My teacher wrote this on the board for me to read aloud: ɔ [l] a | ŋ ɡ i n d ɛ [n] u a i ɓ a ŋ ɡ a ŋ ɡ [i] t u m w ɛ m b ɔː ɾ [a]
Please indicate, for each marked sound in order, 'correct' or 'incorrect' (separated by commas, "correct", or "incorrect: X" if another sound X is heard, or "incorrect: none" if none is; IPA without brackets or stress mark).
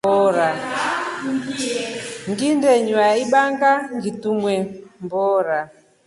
incorrect: ɾ, incorrect: ɲ, correct, correct